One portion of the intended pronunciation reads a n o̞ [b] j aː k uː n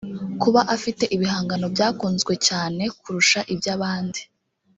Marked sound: correct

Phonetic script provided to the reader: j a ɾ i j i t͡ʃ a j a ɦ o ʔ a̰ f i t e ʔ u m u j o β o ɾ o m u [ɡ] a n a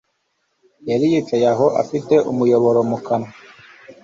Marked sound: incorrect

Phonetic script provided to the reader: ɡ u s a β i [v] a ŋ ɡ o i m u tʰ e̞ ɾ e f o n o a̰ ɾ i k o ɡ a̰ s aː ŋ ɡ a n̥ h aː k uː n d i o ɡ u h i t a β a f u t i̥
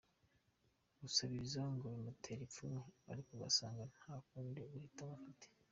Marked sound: incorrect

